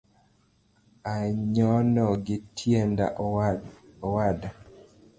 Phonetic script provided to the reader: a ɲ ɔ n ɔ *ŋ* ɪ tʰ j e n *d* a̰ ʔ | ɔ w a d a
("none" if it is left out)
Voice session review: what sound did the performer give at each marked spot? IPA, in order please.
ɡ, d

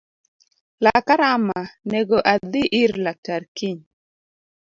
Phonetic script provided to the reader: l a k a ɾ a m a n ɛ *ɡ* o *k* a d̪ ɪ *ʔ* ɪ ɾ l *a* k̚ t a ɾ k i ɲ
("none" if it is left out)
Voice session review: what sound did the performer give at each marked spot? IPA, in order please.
ɡ, ʔ, ʔ, a

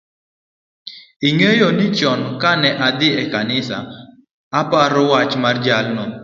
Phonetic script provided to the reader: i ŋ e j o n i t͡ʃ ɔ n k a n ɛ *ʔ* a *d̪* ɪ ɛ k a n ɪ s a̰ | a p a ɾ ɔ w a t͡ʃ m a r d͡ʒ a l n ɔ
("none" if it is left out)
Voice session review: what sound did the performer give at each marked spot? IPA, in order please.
ʔ, d̪

